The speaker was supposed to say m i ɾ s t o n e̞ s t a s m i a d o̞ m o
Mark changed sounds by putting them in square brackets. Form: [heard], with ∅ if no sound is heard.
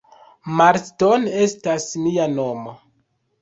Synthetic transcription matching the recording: m [a] ɾ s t o n e̞ s t a s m i a [n] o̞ m o